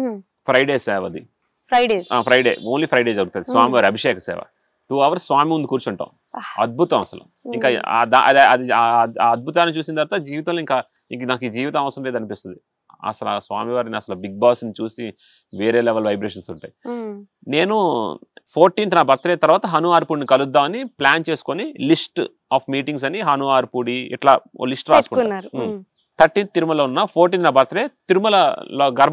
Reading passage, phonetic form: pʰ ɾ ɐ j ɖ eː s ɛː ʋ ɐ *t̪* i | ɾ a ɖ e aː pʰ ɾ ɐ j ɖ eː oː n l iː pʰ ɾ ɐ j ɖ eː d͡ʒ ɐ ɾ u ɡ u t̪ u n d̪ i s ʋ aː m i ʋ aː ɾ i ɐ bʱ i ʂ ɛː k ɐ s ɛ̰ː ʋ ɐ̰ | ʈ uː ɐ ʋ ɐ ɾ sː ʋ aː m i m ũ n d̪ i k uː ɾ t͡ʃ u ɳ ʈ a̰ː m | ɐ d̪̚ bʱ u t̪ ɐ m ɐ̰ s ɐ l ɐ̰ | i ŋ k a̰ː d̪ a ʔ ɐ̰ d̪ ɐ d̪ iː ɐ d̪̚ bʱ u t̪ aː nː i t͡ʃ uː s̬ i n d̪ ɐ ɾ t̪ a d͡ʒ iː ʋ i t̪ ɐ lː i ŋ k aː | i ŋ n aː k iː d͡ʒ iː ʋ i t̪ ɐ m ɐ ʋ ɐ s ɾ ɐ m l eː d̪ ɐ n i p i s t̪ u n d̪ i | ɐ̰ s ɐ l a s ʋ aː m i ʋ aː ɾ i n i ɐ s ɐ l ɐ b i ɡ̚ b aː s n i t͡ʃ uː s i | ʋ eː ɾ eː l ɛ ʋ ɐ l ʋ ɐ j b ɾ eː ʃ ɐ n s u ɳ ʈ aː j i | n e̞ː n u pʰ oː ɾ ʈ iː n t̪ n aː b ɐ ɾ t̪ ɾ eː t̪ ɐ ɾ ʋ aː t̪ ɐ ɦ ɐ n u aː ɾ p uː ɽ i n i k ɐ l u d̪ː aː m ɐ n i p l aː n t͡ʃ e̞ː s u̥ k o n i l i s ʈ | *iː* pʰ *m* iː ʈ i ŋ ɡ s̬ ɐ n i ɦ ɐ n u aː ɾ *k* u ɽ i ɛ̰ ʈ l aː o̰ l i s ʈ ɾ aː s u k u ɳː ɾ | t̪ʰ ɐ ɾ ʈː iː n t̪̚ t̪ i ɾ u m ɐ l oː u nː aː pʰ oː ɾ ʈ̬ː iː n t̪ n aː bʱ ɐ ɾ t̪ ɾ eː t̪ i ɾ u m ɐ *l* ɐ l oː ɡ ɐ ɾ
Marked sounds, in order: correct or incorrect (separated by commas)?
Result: incorrect, incorrect, correct, incorrect, correct